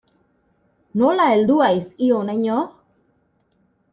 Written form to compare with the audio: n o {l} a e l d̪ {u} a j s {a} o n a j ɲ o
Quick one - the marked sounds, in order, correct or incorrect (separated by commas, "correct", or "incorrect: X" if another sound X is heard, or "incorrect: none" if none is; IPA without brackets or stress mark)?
correct, correct, incorrect: i